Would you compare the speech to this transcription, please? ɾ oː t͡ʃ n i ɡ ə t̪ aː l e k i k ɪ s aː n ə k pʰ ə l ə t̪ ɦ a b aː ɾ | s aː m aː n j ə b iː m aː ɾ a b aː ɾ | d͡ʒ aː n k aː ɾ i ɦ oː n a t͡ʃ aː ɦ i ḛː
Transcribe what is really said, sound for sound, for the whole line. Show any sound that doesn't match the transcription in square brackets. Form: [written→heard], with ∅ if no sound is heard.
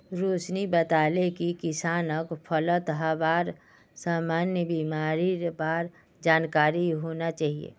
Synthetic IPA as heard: ɾ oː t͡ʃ n i [ɡ→b] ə t̪ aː l e k i k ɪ s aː n ə k pʰ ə l ə t̪ ɦ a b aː ɾ | s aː m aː n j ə b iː m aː ɾ [a→i] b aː ɾ | d͡ʒ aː n k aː ɾ i ɦ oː n a t͡ʃ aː ɦ i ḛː

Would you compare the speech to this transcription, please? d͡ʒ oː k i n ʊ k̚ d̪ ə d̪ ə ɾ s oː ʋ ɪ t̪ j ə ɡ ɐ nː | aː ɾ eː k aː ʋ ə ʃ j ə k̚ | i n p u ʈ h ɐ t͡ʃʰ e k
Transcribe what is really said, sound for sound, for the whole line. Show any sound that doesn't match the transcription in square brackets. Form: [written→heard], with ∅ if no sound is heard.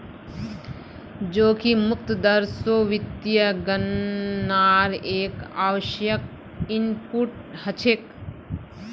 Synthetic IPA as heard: d͡ʒ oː k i [n→m] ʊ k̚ [d̪→t̪] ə d̪ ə ɾ s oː ʋ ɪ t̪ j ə ɡ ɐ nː | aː ɾ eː k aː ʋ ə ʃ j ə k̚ | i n p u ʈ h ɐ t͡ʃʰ e k

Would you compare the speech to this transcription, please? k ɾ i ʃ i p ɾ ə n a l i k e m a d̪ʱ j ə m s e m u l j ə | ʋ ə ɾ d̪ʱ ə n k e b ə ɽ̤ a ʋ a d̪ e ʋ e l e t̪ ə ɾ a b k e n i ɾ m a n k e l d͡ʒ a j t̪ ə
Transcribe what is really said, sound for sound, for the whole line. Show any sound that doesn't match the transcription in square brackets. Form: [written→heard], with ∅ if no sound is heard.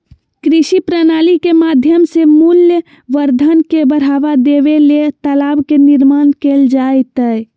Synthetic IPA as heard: k ɾ i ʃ i p ɾ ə n a l i k e m a d̪ʱ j ə m s e m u l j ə | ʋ ə ɾ d̪ʱ ə n k e b ə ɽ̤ a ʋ a d̪ e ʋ e l e t̪ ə [ɾ→l] a b k e n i ɾ m a n k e l d͡ʒ a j t̪ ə

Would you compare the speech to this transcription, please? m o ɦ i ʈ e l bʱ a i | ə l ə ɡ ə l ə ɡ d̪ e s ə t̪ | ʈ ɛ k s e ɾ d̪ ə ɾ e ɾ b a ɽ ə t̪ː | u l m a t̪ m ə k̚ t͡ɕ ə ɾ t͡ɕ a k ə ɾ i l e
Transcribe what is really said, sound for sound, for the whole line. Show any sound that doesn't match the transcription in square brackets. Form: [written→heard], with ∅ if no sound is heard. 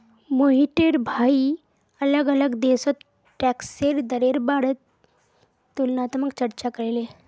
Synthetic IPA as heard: m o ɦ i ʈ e [l→ɾ] bʱ a i | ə l ə ɡ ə l ə ɡ d̪ e s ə t̪ | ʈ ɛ k s e ɾ d̪ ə ɾ e ɾ b a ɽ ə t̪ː | u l [m→n] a t̪ m ə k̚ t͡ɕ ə ɾ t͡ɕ a k ə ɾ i l e

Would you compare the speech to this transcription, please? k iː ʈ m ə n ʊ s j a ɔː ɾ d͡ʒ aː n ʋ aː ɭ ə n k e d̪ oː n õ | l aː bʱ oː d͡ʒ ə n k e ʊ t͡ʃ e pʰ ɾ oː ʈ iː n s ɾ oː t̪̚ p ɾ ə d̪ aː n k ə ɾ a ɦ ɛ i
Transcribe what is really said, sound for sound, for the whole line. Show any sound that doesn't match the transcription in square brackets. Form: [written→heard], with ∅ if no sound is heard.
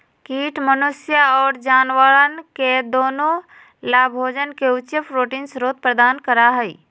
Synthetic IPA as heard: k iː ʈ m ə n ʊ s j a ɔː ɾ d͡ʒ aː n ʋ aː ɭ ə n k e d̪ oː n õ | l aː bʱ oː d͡ʒ ə n k e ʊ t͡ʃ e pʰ ɾ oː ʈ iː n s ɾ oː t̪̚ p ɾ ə d̪ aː n k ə ɾ a ɦ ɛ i

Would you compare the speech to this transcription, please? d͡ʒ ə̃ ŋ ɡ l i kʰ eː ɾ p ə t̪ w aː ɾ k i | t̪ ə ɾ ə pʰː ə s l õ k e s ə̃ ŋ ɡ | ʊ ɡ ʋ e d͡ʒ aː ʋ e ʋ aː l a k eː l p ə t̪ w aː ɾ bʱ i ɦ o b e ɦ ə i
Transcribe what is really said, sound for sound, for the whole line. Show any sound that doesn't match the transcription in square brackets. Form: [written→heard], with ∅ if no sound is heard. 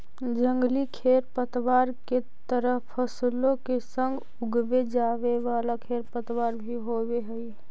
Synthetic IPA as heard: d͡ʒ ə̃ ŋ ɡ l i kʰ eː ɾ p ə t̪ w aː ɾ k [i→e] | t̪ ə ɾ ə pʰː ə s l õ k e s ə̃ ŋ ɡ | ʊ ɡ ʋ e d͡ʒ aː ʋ e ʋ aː l a [k→kʰ] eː [l→ɾ] p ə t̪ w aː ɾ bʱ i ɦ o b e ɦ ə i

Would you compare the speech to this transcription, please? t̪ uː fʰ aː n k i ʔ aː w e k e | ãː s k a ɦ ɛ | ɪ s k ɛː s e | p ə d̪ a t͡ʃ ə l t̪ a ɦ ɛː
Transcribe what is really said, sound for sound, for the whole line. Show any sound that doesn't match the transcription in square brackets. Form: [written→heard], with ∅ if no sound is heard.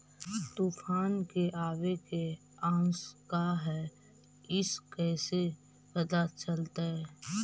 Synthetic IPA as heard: t̪ uː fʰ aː n k [i→e] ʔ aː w e k e | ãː s k a ɦ ɛ | ɪ s k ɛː s e | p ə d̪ a t͡ʃ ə l t̪ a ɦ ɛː

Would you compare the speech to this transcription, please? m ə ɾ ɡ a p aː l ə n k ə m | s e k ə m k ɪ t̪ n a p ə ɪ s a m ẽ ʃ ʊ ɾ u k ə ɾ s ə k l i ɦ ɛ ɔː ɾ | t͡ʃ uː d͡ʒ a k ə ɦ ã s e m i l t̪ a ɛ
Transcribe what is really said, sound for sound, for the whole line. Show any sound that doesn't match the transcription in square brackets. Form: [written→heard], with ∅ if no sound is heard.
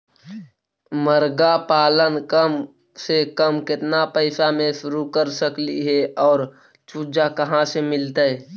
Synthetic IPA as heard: m ə ɾ ɡ a p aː l ə n k ə m | s e k ə m k ɪ t̪ n a p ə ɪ s a m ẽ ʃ ʊ ɾ u k ə ɾ s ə k l i ɦ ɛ ɔː ɾ | t͡ʃ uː d͡ʒ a k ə ɦ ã s e m [i→ɪ] l t̪ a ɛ

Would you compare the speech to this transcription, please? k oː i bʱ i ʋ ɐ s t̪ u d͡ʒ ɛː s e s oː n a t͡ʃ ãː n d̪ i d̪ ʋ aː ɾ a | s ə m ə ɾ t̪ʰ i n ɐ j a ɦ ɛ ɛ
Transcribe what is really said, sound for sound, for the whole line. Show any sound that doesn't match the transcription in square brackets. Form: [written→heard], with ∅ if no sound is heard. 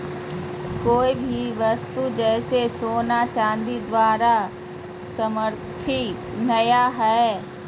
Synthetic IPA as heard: k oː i bʱ i ʋ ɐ s t̪ u d͡ʒ ɛː s e s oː n a t͡ʃ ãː n d̪ i d̪ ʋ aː ɾ a | s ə m ə ɾ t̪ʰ i n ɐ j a ɦ ɛ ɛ

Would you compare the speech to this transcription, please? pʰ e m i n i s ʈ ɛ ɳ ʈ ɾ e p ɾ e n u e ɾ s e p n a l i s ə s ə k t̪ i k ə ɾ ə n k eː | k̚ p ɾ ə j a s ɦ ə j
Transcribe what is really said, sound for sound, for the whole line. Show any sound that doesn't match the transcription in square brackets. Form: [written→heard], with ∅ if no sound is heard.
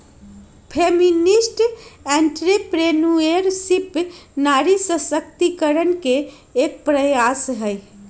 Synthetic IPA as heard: pʰ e m i n i s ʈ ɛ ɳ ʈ ɾ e p ɾ e n u e ɾ s [e→i] p n a [l→ɾ] i s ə s ə k t̪ i k ə ɾ ə n k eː | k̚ p ɾ ə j a s ɦ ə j

